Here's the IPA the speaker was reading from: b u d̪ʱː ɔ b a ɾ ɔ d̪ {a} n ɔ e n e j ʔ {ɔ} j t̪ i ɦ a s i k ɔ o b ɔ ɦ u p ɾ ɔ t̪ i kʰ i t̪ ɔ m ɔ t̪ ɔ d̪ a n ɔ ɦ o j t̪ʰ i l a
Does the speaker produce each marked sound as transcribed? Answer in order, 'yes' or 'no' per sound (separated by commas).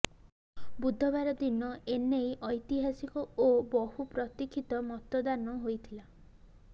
no, yes